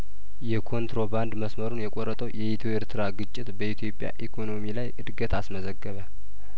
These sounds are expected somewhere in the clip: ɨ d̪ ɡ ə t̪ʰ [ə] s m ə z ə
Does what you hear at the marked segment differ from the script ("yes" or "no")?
yes